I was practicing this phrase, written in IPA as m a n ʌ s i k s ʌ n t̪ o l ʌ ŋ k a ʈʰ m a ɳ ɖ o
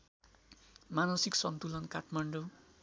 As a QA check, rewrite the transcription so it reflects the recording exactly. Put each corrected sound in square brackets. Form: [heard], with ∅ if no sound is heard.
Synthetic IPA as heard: m a n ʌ s i k s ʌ n t̪ [u] l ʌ [n] k a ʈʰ m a ɳ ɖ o